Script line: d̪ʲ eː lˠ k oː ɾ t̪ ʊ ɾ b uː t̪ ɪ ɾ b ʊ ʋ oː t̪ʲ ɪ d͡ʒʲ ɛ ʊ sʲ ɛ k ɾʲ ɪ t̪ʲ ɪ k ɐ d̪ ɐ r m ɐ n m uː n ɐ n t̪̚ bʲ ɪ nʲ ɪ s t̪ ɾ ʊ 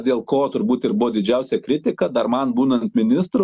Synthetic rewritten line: d̪ʲ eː lˠ k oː t̪ ʊ ɾ b uː t̪ ɪ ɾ b ʊ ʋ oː d̪ʲ ɪ d͡ʒʲ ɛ ʊ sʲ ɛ k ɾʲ ɪ t̪ʲ ɪ k ɐ d̪ ɐ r m ɐ n b uː n ɐ n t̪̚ mʲ ɪ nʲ ɪ s t̪ ɾ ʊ